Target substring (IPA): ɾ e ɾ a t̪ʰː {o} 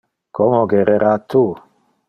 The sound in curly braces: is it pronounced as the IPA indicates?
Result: no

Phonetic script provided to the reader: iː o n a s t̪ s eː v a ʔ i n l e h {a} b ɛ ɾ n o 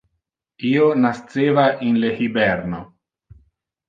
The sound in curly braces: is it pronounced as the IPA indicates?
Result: no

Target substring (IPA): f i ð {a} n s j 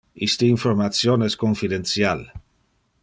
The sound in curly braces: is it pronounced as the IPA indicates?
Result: no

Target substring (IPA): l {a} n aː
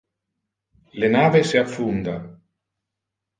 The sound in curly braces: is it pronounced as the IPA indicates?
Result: no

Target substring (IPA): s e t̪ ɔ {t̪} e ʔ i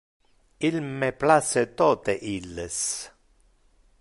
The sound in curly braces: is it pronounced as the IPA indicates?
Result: yes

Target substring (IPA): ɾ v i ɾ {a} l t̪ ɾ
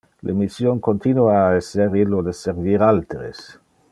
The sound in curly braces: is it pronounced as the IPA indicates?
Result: yes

